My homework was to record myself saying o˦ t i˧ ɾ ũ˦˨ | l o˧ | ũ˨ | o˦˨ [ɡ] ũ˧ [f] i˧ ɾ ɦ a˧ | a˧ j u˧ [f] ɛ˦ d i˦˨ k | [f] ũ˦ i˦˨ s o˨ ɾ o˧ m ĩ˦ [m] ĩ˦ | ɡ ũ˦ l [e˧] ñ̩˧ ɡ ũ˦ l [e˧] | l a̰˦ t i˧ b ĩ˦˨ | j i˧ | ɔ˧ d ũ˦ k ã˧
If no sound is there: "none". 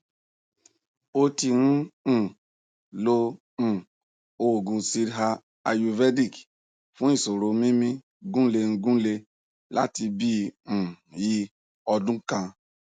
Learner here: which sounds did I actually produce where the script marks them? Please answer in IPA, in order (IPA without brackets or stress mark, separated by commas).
ɡ, s, v, f, m, e˧, e˧